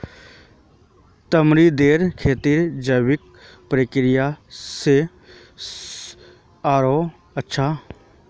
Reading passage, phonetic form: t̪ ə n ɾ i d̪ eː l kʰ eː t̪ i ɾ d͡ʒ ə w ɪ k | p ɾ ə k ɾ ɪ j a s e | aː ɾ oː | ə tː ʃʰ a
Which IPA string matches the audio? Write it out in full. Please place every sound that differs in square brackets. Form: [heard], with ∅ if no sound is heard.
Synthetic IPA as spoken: t̪ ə [m] ɾ i d̪ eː [ɾ] kʰ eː t̪ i ɾ d͡ʒ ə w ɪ k | p ɾ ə k ɾ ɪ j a s e | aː ɾ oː | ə tː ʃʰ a